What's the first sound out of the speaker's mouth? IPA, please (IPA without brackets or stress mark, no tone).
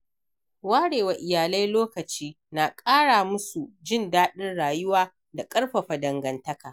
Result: w